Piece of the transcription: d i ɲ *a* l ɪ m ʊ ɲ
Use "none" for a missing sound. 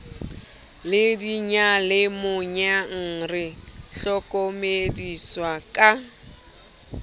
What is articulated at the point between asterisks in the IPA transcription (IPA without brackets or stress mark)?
a